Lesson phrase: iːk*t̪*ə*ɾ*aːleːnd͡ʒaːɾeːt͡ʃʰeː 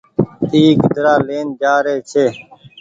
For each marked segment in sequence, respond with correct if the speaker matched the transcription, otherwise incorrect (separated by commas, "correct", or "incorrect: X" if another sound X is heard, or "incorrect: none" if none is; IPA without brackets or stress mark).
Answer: incorrect: d̪, correct